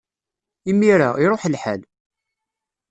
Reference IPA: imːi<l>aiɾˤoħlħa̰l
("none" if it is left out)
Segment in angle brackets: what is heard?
ɾ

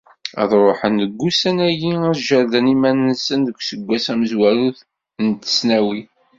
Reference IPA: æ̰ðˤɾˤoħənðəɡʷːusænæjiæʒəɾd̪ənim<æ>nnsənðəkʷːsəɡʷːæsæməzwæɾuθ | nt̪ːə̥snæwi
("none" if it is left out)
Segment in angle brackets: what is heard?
æ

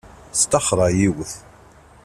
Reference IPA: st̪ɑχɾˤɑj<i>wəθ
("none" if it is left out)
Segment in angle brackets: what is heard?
i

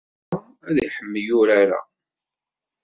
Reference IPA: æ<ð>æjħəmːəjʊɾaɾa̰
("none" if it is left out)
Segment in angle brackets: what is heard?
ð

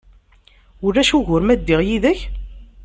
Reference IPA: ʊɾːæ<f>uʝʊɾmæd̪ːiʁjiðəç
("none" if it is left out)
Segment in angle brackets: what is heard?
ʃ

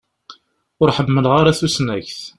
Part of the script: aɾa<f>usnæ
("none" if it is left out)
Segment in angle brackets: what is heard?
θ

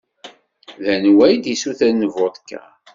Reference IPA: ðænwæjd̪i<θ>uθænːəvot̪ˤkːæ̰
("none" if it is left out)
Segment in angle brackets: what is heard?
s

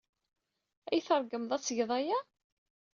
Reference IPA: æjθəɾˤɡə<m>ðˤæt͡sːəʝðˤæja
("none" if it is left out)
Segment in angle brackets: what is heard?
m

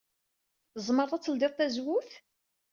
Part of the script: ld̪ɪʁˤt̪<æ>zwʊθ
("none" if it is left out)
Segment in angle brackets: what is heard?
æ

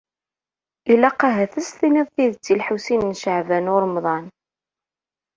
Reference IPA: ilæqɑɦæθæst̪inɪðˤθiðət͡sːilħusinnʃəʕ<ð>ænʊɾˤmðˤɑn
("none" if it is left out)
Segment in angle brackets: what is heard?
v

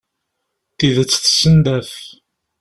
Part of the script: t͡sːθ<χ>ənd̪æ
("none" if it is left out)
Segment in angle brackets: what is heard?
s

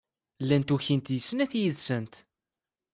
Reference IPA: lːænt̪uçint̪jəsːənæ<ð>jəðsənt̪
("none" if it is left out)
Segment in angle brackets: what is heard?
θ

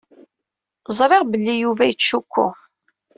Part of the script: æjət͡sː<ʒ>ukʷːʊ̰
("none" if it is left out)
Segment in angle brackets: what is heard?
ʃ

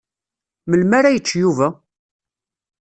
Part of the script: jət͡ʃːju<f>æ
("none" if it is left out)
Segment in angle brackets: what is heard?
v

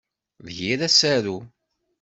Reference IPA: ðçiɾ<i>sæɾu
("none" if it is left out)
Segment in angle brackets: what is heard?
æ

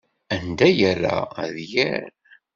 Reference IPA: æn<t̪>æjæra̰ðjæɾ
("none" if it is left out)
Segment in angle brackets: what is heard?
d̪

